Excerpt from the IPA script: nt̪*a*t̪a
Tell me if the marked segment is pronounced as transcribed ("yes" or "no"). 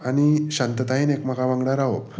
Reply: no